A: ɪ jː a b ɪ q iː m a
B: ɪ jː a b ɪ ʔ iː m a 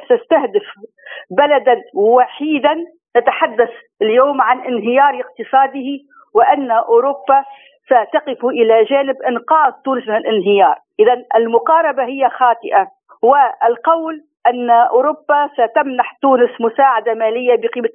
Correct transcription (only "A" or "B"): A